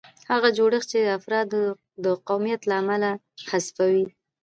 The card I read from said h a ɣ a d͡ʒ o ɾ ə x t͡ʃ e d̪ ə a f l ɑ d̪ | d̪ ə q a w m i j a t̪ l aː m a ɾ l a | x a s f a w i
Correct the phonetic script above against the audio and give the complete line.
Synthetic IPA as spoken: h a ɣ a d͡ʒ o ɽ ə x t͡ʃ e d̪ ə a f ɾ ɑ d̪ | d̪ ə q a w m i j a t̪ l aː m a l a | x a s f a w i